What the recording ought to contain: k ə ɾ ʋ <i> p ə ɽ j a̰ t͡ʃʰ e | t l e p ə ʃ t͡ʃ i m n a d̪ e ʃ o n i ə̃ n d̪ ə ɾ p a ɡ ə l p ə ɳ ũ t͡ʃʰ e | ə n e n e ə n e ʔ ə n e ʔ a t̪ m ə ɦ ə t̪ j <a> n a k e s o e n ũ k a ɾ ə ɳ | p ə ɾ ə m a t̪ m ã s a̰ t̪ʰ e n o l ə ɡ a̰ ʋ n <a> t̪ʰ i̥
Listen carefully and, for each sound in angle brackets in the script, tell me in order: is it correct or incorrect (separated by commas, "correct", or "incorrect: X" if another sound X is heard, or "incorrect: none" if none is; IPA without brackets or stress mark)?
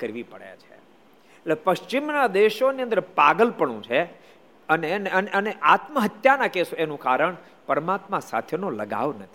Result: correct, correct, incorrect: ə